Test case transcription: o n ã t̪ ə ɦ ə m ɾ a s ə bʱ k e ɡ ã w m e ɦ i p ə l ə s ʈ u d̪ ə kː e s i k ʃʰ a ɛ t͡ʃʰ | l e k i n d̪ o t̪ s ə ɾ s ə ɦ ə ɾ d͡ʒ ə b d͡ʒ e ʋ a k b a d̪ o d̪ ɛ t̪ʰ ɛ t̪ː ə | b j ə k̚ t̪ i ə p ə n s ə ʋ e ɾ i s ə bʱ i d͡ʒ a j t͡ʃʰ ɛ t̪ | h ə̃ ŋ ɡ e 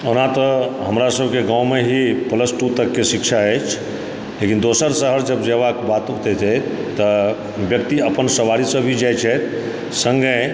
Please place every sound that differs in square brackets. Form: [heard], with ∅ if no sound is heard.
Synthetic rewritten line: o n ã t̪ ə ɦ ə m ɾ a s ə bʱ k e ɡ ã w m e ɦ i p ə l ə s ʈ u [t̪] ə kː e s i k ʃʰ a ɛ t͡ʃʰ | l e k i n d̪ o [∅] s ə ɾ s ə ɦ ə ɾ d͡ʒ ə b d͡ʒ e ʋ a k b a [t̪] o [t̪] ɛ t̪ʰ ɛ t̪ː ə | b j ə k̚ t̪ i ə p ə n s ə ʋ [a] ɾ i s ə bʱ i d͡ʒ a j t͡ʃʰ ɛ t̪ | [s] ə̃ ŋ ɡ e